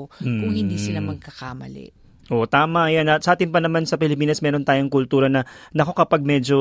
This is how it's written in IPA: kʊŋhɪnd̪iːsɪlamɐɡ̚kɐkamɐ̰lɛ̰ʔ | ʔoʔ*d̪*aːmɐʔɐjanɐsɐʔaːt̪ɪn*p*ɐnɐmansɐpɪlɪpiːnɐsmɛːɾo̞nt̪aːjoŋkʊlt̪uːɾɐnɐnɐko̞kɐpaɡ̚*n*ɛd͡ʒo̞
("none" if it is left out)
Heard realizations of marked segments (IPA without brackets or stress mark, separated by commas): t̪, p, m